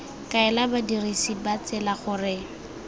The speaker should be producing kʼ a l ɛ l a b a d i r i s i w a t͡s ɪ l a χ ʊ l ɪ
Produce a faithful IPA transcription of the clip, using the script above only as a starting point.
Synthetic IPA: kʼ a ɛ l a b a d i r i s i b a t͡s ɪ l a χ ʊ r ɪ